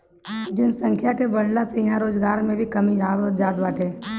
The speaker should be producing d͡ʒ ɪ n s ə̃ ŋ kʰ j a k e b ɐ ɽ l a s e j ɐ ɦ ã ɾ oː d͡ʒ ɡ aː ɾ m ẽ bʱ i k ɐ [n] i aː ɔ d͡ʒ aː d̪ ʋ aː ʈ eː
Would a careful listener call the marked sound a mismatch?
yes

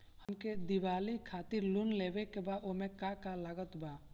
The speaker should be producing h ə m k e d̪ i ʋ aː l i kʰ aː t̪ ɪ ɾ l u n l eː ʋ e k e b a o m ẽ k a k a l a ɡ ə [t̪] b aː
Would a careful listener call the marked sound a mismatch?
no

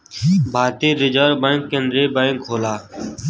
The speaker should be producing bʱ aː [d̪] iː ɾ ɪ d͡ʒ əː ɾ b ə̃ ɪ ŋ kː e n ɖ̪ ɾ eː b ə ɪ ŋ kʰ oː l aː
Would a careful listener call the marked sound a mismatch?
yes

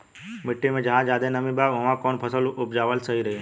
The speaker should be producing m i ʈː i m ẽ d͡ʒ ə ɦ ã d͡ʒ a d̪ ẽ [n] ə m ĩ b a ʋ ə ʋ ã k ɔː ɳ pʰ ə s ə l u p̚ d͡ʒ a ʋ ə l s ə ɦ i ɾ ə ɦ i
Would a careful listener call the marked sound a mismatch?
no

